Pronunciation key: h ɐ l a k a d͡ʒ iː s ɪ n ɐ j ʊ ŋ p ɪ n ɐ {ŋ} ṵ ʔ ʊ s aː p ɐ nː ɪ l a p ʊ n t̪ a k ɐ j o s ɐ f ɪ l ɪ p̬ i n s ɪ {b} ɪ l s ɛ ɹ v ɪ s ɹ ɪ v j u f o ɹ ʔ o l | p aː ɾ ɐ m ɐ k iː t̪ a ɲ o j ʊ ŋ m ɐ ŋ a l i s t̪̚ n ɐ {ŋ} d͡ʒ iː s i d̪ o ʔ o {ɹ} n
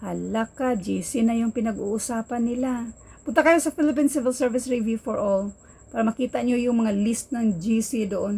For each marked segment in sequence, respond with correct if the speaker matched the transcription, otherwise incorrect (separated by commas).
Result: incorrect, incorrect, correct, incorrect